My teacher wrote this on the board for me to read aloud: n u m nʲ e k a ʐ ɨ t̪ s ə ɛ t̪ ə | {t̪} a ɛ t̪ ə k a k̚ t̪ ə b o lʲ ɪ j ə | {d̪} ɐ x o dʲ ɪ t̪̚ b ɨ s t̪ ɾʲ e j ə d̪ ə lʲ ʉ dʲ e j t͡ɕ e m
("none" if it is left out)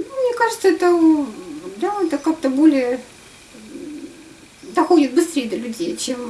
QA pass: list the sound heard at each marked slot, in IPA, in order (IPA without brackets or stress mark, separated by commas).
d̪, d̪